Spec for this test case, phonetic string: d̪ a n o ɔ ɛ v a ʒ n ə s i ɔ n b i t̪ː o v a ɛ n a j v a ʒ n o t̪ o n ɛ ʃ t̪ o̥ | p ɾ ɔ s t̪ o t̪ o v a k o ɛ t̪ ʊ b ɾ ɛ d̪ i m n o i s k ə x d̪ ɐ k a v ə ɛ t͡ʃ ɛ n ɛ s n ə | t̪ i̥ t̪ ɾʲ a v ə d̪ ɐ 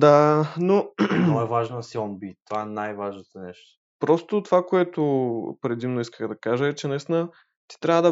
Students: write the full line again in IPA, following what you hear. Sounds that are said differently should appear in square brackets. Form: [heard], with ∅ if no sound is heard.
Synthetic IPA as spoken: d̪ a n o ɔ ɛ v a ʒ n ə s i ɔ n b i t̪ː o v a ɛ n a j v a ʒ n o t̪ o n ɛ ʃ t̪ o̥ | p ɾ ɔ s t̪ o t̪ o v a k o ɛ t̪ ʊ [p] ɾ ɛ d̪ i m n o i s k ə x d̪ ɐ k a [ʒ] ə ɛ t͡ʃ ɛ n ɛ s n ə | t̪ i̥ t̪ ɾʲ a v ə d̪ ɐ